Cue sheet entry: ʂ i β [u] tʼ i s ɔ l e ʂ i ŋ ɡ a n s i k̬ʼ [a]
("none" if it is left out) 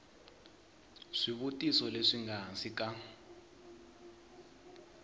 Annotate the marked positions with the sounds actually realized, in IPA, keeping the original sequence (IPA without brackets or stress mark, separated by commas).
u, a